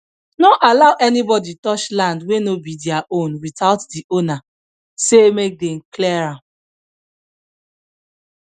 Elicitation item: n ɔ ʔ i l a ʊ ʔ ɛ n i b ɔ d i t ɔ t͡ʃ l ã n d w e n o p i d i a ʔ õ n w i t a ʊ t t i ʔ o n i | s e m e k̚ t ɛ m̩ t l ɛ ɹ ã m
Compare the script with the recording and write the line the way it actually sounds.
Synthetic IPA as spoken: n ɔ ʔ a l a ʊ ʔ ɛ n i b ɔ d i t ɔ t͡ʃ l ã n d w e n o b i d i a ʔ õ n w i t a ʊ t d i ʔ o n a | s e m e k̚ d ɛ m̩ k l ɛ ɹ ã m